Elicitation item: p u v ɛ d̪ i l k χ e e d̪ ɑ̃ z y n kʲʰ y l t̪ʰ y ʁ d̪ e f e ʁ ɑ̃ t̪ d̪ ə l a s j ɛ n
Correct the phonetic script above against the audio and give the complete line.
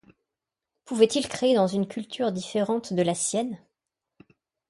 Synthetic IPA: p u v ɛ t̪ i l k χ e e d̪ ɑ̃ z y n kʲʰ y l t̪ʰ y ʁ d̪ i f e ʁ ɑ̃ t̪ d̪ ə l a s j ɛ n